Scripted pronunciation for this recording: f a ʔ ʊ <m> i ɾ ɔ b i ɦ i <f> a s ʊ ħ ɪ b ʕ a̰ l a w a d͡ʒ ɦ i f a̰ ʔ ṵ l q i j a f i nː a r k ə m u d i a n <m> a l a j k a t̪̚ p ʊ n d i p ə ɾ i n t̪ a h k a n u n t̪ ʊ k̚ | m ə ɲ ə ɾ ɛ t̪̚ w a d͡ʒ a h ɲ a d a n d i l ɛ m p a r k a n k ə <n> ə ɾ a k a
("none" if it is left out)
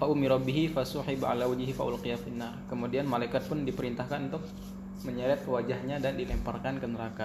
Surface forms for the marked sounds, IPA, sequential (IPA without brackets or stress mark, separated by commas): m, f, m, n